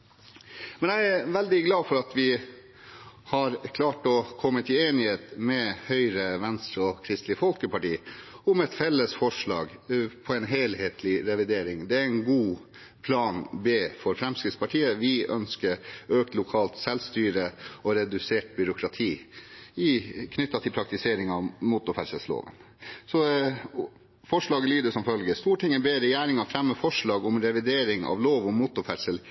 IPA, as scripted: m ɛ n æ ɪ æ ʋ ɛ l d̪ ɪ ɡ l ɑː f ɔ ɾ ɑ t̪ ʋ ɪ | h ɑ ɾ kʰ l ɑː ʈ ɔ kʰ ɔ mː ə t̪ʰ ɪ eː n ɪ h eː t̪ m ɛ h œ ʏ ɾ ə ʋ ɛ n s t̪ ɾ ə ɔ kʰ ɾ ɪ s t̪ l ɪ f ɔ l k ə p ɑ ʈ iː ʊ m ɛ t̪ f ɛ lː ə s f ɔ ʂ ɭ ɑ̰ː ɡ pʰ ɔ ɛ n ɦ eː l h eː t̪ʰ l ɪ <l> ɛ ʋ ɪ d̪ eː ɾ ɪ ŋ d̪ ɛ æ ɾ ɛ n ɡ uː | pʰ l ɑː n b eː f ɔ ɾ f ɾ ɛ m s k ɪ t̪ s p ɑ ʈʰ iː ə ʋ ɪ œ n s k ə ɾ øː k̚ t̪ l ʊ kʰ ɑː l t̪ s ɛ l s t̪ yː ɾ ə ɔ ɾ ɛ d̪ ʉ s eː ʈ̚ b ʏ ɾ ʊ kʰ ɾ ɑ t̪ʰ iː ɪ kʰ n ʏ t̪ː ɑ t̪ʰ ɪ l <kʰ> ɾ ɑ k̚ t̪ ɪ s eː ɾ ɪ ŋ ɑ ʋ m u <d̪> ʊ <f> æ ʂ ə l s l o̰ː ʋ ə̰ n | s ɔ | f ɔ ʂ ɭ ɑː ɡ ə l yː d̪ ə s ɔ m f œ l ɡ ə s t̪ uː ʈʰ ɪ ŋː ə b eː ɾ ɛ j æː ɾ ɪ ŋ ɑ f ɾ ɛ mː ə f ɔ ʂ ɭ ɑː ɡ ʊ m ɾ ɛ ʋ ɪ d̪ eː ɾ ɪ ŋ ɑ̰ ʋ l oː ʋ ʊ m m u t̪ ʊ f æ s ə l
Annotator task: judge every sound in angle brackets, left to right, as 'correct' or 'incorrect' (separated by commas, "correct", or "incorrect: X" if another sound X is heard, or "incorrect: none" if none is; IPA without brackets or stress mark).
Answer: incorrect: ɾ, incorrect: pʰ, incorrect: t̪, correct